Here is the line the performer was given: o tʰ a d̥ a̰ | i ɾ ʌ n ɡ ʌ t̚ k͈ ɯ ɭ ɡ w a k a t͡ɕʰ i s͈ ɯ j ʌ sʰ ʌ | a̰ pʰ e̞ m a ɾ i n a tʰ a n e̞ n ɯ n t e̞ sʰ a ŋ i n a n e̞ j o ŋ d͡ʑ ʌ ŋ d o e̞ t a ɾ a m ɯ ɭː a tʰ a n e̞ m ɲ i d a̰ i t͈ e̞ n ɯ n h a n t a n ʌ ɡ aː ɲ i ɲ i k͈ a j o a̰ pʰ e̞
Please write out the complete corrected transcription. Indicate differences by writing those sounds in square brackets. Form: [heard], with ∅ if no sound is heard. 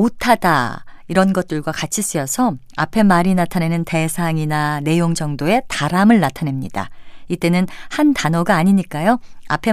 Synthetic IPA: o tʰ a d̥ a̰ | i ɾ ʌ n ɡ ʌ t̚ [t͈] ɯ ɭ ɡ w a k a t͡ɕʰ i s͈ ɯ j ʌ sʰ ʌ | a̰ pʰ e̞ m a ɾ i n a tʰ a n e̞ n ɯ n t e̞ sʰ a ŋ i n a n e̞ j o ŋ d͡ʑ ʌ ŋ d o e̞ t a ɾ a m ɯ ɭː a tʰ a n e̞ m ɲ i d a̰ i t͈ e̞ n ɯ n h a n t a n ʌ ɡ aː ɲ i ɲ i k͈ a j o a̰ pʰ e̞